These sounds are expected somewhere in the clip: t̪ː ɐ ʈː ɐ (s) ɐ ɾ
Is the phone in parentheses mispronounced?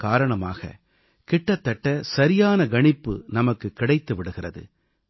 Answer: no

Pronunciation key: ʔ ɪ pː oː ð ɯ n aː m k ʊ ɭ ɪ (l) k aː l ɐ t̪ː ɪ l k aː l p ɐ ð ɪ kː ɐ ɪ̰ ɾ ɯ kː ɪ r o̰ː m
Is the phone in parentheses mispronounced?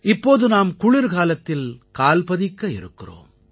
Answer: yes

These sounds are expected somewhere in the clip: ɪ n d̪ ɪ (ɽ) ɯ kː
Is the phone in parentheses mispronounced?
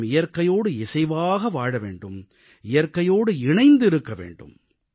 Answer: yes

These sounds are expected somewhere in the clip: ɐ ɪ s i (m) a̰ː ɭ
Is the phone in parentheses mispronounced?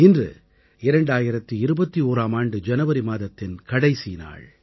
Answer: yes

